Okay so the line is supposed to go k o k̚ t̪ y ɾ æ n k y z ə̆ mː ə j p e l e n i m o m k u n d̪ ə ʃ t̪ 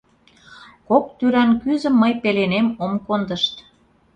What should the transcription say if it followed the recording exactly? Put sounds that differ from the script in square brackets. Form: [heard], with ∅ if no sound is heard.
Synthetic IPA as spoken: k o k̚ t̪ y ɾ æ n k y z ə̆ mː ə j p e l e n [e] m o m k [o] n d̪ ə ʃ t̪